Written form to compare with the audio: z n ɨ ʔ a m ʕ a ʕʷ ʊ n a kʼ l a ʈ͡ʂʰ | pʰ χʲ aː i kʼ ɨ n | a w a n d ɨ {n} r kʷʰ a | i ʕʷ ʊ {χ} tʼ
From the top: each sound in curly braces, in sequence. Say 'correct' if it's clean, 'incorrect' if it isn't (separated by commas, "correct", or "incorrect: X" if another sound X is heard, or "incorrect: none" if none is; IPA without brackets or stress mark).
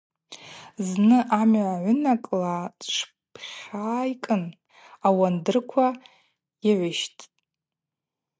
incorrect: none, incorrect: ʃ